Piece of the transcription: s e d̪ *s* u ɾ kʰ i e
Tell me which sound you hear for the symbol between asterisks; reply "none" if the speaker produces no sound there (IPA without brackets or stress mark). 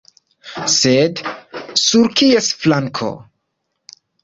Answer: s